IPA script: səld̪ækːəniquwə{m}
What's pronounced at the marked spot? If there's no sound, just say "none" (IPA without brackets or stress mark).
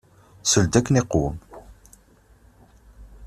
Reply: m